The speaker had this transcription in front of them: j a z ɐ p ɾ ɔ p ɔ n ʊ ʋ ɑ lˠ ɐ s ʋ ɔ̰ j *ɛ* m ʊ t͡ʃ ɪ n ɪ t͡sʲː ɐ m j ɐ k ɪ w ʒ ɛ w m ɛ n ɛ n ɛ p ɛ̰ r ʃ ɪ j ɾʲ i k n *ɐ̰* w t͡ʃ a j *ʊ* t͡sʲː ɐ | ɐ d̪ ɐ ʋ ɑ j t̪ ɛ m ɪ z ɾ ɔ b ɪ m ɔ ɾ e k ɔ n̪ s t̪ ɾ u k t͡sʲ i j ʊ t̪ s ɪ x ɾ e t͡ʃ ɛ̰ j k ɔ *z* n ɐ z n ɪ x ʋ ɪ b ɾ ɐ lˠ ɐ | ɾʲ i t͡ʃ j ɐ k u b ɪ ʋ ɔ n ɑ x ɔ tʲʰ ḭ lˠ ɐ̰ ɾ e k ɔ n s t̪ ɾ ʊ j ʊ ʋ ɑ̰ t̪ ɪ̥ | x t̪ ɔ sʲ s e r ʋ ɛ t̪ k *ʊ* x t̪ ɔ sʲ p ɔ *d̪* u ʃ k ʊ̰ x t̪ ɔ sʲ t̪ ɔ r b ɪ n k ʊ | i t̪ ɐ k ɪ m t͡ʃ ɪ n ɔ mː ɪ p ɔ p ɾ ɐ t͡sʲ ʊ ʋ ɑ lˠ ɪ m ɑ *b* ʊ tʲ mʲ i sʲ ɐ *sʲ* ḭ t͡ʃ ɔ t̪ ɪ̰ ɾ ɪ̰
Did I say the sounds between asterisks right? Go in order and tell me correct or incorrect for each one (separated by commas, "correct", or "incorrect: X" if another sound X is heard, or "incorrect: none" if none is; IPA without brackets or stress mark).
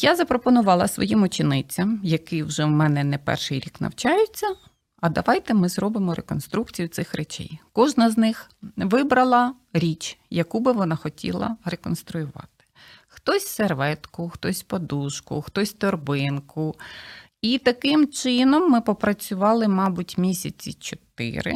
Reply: incorrect: i, correct, correct, incorrect: ʒ, correct, correct, correct, incorrect: t͡sʲ